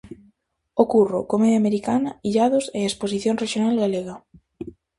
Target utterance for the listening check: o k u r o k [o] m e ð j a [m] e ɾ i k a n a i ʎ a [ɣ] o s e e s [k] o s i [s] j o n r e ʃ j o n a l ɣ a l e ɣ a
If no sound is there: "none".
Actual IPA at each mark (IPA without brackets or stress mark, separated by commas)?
o, m, ð, p, θ